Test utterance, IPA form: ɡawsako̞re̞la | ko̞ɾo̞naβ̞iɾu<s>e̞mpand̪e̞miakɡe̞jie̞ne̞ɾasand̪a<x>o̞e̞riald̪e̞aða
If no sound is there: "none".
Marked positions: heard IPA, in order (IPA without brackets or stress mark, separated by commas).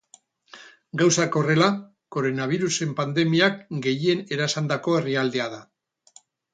s, k